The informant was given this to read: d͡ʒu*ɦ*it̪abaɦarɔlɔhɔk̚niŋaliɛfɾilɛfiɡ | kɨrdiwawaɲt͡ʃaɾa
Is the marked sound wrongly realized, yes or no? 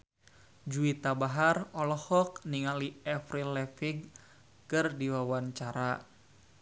yes